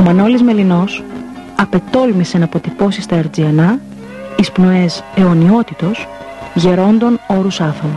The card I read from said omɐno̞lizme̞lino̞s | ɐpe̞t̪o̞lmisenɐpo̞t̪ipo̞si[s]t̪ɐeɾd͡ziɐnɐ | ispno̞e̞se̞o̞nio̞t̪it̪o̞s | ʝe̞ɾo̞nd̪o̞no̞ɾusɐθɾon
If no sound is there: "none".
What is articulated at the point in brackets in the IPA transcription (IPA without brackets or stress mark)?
s